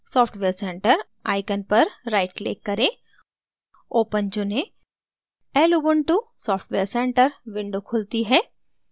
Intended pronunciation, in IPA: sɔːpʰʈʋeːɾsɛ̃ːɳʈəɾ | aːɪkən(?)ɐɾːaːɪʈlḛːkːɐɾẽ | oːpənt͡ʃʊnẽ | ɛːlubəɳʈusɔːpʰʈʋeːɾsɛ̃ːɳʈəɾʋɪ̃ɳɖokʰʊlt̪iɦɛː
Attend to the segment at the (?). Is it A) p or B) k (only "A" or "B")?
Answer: A